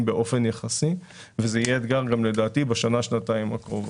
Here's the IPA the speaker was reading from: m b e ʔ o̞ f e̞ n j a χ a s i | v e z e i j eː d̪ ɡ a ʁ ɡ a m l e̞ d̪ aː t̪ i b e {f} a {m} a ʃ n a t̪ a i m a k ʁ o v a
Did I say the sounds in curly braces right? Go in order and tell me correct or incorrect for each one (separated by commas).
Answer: incorrect, incorrect